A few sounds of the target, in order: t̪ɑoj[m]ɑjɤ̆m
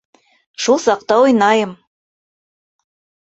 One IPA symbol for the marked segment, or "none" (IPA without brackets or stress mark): n